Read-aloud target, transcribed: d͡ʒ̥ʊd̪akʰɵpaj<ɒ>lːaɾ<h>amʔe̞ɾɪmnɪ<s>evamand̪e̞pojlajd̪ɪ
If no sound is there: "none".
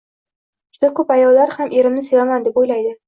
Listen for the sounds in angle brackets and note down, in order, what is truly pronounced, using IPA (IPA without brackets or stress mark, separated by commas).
ɒ, h, s